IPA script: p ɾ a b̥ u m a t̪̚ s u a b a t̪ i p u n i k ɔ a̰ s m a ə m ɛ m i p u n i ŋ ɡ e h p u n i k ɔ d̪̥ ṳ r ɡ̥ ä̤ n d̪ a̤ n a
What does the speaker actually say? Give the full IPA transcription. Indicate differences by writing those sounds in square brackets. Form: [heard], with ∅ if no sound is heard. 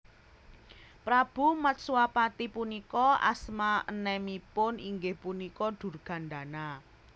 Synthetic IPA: p ɾ a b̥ u m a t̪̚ s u a [p] a t̪ i p u n i k ɔ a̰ s m a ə [n] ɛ m i p [ʊ] n i ŋ ɡ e h p u n i k ɔ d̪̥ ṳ r ɡ̥ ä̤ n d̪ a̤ n a